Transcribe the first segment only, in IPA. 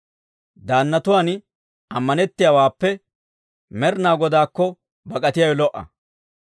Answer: d̪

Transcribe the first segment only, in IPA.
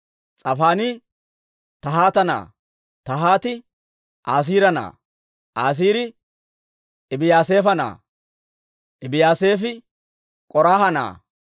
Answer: t͡sʼ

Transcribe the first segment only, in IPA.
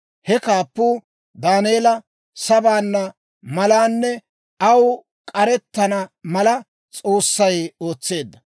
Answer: h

